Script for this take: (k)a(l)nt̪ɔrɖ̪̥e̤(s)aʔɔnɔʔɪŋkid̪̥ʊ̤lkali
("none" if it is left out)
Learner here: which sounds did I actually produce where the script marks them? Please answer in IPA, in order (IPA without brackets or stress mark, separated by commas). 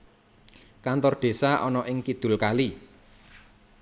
k, none, s